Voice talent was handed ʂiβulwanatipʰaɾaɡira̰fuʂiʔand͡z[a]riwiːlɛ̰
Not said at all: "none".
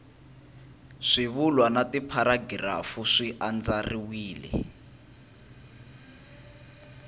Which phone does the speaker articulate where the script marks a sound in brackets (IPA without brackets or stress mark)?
a